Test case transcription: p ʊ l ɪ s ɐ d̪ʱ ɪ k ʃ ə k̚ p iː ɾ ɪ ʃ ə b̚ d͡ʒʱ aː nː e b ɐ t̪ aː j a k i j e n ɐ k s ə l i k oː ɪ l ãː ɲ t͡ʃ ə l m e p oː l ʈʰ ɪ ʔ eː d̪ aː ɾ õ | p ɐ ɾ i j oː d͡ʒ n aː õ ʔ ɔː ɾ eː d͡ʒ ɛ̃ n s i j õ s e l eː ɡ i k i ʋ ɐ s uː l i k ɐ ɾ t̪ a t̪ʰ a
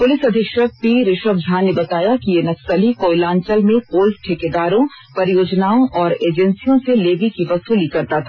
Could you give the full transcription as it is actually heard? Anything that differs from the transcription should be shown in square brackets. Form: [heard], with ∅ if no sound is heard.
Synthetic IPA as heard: p ʊ l ɪ s ɐ d̪ʱ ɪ k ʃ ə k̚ p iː ɾ ɪ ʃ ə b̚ d͡ʒʱ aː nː e b ɐ t̪ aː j a k i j e n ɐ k s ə l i k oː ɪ l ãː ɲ t͡ʃ ə l m [ẽ] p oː l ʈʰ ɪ [k] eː d̪ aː ɾ õ | p ɐ ɾ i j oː d͡ʒ n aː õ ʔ ɔː ɾ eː d͡ʒ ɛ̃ n s i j õ s e l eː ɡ i k i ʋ ɐ s uː l i k ɐ ɾ t̪ a t̪ʰ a